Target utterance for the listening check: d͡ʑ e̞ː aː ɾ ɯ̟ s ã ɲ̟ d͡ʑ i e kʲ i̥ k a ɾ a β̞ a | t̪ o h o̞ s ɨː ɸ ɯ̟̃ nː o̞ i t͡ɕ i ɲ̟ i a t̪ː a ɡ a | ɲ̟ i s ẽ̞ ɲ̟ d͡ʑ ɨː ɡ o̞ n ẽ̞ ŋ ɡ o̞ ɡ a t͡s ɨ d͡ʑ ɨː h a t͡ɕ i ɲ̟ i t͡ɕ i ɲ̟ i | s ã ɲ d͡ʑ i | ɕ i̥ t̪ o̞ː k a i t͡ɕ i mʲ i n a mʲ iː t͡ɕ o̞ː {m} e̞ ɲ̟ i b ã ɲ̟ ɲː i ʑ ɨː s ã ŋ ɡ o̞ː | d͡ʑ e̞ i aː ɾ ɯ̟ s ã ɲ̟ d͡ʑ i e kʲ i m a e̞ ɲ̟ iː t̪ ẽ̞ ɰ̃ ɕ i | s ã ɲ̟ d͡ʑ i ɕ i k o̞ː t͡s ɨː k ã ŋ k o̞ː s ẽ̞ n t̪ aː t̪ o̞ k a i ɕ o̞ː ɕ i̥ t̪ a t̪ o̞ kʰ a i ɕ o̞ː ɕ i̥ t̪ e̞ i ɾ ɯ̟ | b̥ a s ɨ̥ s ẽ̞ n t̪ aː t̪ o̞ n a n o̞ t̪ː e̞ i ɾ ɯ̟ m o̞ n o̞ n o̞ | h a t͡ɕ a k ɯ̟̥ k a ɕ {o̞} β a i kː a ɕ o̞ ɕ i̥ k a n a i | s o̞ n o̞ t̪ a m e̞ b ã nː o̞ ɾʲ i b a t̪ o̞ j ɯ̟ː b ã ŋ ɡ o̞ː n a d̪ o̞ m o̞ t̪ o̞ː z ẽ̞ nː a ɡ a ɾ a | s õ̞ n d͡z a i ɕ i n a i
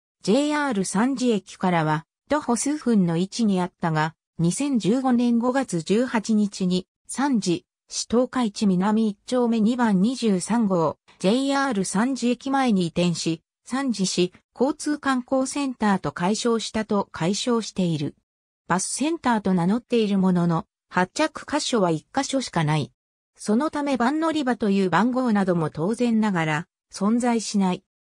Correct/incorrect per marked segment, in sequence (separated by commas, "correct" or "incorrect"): correct, correct